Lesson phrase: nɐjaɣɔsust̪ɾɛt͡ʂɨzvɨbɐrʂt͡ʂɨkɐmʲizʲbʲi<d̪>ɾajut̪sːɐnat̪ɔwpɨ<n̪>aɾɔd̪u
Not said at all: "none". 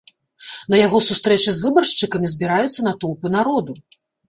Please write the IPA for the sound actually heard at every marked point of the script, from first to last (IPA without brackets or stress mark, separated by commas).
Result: none, n̪